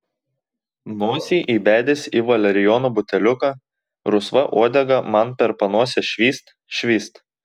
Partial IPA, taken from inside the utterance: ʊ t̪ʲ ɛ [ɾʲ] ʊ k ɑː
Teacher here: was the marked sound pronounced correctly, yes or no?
no